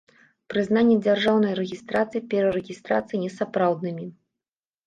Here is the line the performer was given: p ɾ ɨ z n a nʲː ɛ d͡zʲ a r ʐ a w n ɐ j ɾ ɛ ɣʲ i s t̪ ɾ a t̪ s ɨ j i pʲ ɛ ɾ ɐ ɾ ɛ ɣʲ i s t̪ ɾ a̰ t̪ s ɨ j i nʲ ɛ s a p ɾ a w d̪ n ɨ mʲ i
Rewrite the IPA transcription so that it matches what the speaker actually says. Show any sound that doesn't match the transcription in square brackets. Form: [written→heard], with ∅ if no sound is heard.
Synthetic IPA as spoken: p ɾ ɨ z n a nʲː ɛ d͡zʲ a r ʐ a w n ɐ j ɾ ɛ ɣʲ i s t̪ ɾ a t̪ s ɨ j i pʲ ɛ ɾ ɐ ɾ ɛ ɣʲ i s t̪ ɾ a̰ t̪ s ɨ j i nʲ ɛ s a p ɾ a w d̪ n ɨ mʲ i

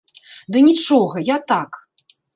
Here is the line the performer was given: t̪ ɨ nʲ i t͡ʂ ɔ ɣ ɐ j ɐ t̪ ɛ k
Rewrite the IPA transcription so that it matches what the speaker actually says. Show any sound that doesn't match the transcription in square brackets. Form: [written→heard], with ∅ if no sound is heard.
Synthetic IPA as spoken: [t̪→d̪] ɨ nʲ i t͡ʂ ɔ ɣ ɐ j [ɐ→a] t̪ [ɛ→a] k

